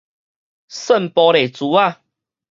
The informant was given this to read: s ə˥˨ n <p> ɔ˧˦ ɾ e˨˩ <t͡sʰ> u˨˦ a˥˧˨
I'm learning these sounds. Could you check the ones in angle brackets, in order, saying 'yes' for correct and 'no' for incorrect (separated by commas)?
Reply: yes, no